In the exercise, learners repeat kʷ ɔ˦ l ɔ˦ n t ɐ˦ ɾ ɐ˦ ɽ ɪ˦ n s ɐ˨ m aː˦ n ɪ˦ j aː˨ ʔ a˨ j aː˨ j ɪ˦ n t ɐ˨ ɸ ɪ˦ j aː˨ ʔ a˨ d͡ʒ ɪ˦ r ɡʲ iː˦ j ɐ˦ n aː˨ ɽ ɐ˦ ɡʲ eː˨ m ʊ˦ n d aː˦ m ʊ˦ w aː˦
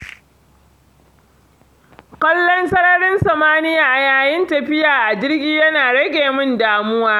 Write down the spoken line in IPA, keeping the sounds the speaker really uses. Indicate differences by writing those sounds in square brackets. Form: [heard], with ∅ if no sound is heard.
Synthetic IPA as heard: kʷ ɔ˦ [lː] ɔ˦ n [s] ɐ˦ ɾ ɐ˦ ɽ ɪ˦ n s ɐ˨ m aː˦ n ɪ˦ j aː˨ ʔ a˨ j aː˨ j ɪ˦ n t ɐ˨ ɸ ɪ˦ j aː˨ ʔ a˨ d͡ʒ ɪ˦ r ɡʲ iː˦ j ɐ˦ n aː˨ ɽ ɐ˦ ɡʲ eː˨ m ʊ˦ n d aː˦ m ʊ˦ w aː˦